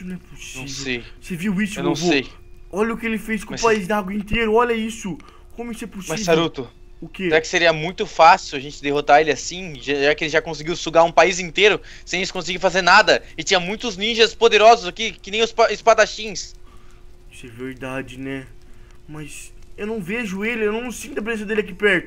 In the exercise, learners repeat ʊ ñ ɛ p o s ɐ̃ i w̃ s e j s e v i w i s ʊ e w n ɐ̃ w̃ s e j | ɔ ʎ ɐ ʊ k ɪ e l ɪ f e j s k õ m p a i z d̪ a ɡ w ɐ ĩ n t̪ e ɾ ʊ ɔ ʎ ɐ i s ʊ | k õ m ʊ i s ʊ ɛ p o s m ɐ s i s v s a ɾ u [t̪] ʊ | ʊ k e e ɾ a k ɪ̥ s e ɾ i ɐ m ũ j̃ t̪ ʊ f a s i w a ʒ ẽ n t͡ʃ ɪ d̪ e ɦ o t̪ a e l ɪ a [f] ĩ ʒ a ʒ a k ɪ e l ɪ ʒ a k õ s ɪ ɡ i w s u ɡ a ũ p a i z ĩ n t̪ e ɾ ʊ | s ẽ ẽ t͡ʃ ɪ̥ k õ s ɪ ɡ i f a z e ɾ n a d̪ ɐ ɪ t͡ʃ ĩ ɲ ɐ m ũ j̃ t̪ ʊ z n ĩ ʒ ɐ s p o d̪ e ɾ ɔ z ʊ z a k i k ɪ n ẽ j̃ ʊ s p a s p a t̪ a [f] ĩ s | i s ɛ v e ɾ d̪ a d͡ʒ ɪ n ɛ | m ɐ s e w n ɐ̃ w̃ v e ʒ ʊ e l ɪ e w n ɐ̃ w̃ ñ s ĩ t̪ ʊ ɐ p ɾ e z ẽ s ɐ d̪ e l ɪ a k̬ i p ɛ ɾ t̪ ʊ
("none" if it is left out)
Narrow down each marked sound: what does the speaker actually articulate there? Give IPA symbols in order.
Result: t̪, s, ʃ

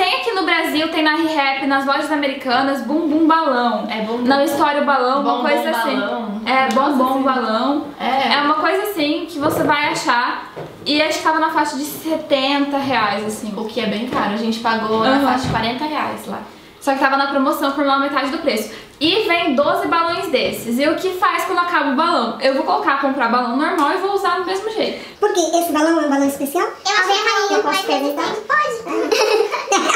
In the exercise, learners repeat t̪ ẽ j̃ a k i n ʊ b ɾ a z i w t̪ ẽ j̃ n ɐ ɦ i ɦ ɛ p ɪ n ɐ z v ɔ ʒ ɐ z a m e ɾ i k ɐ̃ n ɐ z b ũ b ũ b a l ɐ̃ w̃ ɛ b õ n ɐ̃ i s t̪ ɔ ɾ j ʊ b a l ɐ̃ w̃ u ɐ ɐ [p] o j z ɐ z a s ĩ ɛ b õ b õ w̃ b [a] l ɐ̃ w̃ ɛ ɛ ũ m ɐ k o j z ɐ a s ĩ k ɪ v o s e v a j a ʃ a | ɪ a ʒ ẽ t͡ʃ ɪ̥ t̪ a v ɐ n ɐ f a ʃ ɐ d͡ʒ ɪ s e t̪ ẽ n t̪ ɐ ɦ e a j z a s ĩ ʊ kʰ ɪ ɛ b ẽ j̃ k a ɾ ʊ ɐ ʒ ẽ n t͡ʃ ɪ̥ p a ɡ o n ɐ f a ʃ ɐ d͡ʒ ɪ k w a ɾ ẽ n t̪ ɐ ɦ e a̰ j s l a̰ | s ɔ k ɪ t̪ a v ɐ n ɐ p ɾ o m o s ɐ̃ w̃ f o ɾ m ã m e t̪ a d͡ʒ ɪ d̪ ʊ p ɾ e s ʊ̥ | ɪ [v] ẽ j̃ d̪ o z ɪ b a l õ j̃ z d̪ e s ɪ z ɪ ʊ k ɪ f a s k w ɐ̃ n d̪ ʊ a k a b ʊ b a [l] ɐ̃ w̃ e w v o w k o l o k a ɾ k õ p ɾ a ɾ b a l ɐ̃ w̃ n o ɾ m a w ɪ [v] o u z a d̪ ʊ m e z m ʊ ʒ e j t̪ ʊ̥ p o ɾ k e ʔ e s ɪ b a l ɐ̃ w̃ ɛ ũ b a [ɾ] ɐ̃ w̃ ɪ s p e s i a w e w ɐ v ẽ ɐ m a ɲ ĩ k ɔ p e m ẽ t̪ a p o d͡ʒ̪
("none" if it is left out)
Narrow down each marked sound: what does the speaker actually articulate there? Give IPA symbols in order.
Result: k, a, v, l, v, l

